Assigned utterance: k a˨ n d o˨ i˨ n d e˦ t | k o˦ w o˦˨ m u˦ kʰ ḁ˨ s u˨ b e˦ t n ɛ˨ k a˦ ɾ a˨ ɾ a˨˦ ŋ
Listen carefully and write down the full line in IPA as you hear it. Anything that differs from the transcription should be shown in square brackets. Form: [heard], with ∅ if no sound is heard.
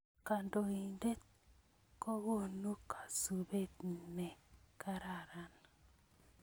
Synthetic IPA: k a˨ n d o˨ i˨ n d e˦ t | k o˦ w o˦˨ [n] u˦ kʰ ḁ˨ s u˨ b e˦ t n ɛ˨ k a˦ ɾ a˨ ɾ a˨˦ [n]